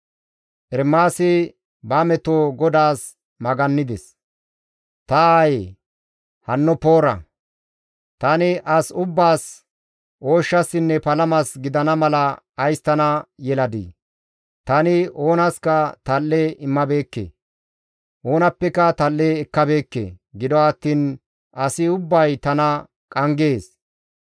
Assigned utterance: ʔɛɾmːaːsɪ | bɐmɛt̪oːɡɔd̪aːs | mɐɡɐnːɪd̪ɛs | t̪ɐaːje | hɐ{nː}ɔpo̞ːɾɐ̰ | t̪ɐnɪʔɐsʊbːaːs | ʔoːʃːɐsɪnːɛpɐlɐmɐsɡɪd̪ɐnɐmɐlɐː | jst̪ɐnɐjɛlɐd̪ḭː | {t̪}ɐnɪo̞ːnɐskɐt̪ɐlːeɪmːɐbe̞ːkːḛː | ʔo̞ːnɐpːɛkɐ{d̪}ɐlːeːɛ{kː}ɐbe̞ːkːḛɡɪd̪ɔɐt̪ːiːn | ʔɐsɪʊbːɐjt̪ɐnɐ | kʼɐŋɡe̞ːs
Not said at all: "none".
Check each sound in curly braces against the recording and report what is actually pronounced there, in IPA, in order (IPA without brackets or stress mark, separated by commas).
nː, t̪, t̪, kː